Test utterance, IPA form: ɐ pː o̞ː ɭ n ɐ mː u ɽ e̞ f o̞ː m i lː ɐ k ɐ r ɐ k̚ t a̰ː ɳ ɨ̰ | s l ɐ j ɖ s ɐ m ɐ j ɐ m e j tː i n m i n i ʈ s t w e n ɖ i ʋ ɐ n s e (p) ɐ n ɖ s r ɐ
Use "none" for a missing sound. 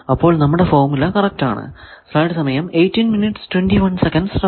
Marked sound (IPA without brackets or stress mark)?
k